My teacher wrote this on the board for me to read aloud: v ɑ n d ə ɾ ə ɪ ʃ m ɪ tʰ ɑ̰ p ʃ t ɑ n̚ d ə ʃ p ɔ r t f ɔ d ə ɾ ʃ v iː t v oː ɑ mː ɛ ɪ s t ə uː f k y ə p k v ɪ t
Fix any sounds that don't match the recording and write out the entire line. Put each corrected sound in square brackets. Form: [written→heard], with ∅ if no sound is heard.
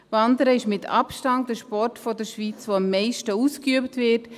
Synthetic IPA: v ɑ n d ə ɾ ə ɪ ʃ m ɪ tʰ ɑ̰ p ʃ t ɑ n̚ d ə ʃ p ɔ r t f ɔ d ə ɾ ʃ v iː [t→t͡s] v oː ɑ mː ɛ ɪ [s→ʃ] t ə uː [f→s] k y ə p [k→t] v ɪ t